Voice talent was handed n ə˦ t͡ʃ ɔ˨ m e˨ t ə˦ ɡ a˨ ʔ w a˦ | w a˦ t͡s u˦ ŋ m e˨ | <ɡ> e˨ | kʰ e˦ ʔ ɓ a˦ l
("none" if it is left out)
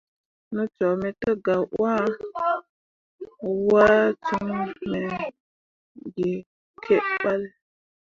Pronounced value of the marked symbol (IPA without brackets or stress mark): ɡ